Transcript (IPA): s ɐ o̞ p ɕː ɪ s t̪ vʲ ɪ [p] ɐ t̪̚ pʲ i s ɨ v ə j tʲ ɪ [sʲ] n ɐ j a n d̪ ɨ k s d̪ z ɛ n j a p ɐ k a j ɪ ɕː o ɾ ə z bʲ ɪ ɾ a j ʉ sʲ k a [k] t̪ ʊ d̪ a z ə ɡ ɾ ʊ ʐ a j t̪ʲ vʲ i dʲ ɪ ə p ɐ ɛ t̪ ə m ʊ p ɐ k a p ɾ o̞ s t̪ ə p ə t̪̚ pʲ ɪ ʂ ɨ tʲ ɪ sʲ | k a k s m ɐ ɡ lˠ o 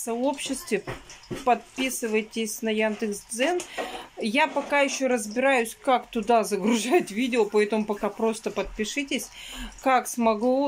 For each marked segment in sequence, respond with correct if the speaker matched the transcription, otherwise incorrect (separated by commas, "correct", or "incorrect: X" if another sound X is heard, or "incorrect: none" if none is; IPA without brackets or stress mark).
correct, correct, correct